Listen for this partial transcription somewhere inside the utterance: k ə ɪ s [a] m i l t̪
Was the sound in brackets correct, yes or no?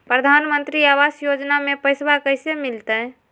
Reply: no